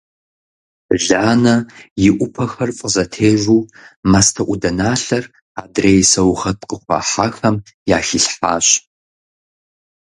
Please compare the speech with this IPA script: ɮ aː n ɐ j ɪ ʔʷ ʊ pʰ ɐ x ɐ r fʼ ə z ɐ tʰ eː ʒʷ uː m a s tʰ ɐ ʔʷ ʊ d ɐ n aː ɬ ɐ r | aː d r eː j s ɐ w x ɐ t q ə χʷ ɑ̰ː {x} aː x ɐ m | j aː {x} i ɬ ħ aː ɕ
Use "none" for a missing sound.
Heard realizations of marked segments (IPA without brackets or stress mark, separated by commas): ħ, x